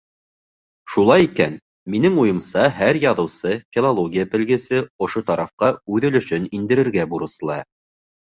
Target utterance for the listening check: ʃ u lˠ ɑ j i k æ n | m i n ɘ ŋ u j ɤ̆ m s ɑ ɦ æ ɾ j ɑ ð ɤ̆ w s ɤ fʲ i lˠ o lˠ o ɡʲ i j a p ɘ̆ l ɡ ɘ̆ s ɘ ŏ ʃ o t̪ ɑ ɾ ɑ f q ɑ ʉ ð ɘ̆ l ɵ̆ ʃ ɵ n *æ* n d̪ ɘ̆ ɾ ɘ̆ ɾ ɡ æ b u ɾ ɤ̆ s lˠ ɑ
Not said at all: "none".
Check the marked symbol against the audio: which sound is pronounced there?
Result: i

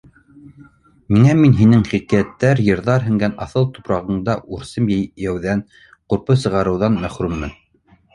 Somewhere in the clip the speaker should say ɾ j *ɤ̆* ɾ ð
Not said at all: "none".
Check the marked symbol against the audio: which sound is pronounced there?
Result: ɤ̆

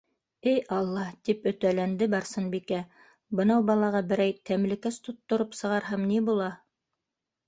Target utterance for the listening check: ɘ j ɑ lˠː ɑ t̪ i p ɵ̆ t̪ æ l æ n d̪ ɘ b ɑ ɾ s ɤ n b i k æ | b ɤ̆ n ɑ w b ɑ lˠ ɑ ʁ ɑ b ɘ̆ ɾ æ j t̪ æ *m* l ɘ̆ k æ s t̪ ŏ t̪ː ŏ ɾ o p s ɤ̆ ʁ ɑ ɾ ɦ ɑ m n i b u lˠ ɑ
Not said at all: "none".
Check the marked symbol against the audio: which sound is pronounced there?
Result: m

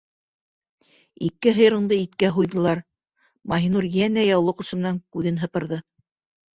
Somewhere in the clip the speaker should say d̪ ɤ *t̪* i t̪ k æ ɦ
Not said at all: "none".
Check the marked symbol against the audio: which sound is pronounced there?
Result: none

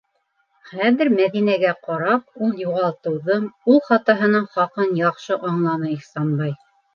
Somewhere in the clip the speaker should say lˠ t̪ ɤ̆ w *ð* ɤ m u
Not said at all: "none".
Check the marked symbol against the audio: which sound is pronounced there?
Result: ð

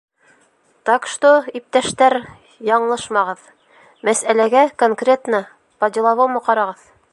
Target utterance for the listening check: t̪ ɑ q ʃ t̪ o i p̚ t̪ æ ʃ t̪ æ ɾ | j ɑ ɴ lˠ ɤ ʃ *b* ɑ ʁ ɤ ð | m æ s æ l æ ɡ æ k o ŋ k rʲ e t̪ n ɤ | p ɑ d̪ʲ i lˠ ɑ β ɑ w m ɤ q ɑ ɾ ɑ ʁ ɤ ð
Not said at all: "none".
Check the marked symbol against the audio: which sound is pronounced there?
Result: m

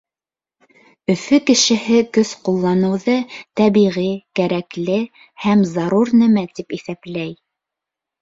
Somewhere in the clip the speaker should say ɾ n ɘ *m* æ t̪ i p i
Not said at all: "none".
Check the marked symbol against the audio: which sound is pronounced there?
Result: m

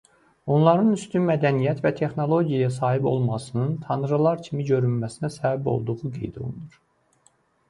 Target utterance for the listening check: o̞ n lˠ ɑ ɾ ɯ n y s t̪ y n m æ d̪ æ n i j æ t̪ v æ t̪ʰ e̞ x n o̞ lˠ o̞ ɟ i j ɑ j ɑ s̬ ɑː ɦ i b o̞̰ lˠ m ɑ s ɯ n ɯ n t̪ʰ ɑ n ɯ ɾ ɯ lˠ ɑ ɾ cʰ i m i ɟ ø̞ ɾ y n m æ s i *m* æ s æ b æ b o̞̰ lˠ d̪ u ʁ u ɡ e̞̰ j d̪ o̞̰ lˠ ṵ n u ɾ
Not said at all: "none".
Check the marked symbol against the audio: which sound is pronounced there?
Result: n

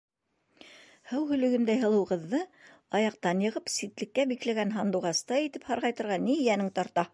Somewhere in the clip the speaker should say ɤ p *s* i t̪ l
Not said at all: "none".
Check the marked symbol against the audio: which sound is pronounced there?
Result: s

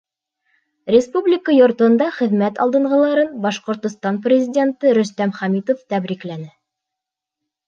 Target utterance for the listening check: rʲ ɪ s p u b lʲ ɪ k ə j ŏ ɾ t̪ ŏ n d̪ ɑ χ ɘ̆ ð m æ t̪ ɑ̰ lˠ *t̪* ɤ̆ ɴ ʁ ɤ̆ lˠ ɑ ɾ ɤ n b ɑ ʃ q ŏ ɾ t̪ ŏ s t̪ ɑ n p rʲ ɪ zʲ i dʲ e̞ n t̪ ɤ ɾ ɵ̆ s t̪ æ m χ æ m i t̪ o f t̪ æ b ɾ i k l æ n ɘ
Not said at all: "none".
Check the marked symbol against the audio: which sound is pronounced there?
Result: d̪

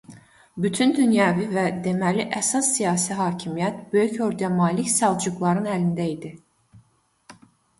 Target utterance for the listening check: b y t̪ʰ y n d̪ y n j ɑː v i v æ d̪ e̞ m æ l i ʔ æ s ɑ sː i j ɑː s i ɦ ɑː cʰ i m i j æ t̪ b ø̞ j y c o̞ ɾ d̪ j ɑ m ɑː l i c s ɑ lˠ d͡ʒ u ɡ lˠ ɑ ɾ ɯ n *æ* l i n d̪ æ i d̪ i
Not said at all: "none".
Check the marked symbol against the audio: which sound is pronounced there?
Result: æ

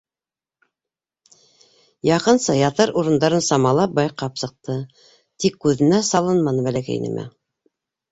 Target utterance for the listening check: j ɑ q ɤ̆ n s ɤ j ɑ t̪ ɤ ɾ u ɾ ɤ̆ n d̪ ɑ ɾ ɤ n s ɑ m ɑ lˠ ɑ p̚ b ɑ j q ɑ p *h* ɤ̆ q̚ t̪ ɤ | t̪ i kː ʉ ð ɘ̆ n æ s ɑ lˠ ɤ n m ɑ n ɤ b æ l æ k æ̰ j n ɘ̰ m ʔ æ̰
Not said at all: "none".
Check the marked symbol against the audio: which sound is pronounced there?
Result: s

